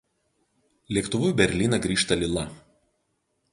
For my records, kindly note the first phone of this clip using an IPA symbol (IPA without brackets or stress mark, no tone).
lʲ